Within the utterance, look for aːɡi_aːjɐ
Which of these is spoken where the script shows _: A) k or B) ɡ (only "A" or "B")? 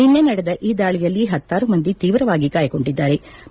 A